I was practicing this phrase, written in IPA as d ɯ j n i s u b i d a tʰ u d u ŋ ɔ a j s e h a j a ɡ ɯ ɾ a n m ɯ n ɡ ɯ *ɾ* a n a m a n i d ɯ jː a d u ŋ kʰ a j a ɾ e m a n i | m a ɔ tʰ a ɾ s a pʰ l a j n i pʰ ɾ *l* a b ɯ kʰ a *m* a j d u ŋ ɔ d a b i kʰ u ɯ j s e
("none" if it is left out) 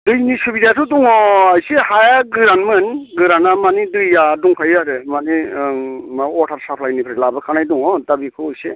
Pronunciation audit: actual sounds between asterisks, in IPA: ɾ, l, n

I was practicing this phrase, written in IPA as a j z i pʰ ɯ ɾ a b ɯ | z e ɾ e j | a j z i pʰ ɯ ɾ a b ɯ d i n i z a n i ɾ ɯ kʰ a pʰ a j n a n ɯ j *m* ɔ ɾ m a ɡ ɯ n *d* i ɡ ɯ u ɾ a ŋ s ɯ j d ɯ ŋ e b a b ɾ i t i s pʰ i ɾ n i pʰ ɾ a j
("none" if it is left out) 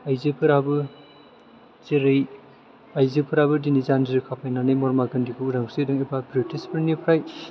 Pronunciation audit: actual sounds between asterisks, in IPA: m, d

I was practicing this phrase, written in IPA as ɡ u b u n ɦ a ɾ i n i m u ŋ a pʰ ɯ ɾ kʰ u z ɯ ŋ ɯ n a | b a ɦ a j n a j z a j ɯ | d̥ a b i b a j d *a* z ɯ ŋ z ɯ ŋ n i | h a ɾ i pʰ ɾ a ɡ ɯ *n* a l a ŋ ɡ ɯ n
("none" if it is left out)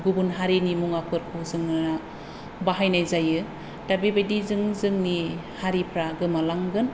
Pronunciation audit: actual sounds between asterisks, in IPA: i, m

